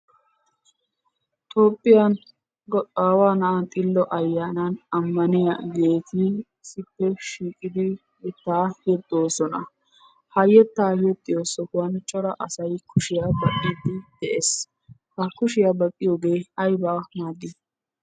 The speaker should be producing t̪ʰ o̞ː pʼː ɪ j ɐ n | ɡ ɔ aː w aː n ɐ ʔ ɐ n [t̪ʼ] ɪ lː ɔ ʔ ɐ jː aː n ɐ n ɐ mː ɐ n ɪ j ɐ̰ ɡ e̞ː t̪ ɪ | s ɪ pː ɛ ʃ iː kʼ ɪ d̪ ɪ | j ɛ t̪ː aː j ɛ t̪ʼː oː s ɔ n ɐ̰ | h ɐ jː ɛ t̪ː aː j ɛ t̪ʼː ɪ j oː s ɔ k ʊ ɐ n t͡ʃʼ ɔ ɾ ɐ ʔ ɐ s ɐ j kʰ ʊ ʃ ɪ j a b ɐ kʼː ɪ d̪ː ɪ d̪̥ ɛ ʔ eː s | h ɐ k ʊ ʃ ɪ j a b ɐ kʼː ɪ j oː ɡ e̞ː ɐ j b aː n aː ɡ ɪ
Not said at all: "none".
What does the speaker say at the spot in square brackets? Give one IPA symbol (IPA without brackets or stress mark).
t̪ʼ